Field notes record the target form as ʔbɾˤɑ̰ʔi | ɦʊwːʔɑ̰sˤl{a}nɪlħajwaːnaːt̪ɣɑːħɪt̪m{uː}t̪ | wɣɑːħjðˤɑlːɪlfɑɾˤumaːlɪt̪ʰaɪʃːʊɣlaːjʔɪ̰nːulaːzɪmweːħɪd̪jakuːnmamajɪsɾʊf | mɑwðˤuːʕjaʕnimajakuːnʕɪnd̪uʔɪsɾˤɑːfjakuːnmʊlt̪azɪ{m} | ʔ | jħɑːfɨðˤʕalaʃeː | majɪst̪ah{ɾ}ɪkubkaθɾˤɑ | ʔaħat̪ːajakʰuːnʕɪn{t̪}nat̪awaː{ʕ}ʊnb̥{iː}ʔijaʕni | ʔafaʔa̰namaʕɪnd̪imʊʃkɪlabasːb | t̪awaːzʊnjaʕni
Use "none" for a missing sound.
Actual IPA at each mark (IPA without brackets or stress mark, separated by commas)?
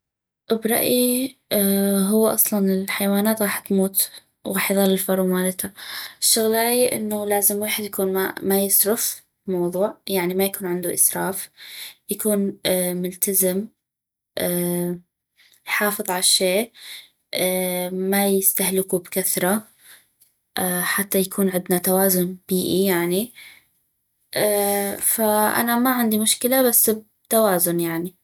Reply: ɑ, uː, m, l, d̪, z, iː